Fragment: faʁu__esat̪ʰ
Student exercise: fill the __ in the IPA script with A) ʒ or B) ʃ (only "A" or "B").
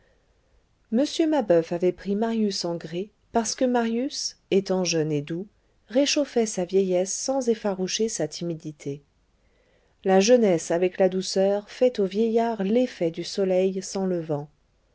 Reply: B